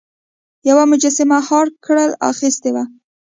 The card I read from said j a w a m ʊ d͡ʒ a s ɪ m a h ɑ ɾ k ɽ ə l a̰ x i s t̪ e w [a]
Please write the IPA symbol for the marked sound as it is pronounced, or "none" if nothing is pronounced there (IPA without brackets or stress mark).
a